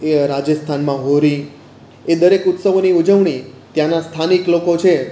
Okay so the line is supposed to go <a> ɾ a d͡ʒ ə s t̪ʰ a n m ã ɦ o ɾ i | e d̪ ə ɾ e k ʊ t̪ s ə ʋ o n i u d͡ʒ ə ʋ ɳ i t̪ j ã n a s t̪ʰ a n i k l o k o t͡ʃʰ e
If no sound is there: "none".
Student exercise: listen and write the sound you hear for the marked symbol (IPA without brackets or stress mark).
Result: e